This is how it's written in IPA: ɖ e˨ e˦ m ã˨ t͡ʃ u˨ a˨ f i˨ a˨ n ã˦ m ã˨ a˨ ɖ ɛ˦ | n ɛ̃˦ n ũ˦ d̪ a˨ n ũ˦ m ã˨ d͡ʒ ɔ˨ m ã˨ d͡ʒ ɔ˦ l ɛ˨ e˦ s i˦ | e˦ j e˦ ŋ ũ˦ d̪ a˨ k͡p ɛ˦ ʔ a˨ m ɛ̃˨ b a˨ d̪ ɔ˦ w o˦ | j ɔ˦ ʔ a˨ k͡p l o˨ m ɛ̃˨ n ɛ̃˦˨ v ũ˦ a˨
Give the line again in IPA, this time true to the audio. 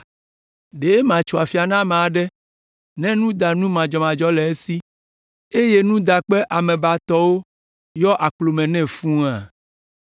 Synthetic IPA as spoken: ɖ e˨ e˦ m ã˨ t͡ʃ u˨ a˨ f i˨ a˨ n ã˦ m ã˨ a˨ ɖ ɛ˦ | n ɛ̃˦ n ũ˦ d̪ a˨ n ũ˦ m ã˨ d͡ʒ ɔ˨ m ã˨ d͡ʒ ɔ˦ l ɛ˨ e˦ s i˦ | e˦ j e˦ n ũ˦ d̪ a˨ k͡p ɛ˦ ʔ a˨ m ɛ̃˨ b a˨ t̪ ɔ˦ w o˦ | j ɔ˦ ʔ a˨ k͡p l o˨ m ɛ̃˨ n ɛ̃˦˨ f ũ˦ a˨

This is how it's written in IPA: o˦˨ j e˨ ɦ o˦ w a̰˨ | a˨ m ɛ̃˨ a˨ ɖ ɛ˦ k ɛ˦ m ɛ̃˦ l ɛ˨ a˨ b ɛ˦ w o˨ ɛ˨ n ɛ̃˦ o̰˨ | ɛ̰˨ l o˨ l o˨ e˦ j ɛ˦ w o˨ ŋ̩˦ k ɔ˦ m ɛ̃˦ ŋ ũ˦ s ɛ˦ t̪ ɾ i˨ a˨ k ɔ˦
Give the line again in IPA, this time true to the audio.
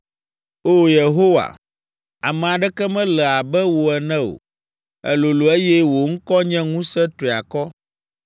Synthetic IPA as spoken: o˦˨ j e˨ ɦ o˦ w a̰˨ | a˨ m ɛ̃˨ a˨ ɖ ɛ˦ k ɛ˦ m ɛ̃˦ l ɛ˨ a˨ b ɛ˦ w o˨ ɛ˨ n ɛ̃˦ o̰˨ | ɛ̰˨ l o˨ l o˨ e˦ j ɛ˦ w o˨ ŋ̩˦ k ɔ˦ ɲ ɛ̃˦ ŋ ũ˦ s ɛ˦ t̪ ɾ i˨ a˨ k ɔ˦

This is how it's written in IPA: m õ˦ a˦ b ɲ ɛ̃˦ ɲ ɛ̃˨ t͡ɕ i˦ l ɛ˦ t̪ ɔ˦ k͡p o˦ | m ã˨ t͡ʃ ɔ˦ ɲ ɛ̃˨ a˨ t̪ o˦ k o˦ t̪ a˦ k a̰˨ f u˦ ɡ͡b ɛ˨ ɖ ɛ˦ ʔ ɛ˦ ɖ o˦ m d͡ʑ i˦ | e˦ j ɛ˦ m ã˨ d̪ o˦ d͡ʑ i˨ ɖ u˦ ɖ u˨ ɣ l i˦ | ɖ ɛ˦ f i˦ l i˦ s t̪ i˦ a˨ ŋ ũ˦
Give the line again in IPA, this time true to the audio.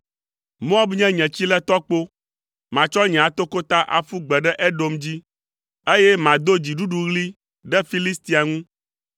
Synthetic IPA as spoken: m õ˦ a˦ b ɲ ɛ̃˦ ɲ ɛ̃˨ t͡ɕ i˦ l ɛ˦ t̪ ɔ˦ k͡p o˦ | m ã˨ t͡ʃ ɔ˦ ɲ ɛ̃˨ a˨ t̪ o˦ k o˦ t̪ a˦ ʔ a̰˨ f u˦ ɡ͡b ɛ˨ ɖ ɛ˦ ʔ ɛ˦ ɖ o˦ m d͡ʑ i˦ | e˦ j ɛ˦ m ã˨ d̪ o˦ d͡ʑ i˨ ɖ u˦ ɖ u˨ ɣ l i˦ | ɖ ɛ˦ f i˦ l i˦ s t̪ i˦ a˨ ŋ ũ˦

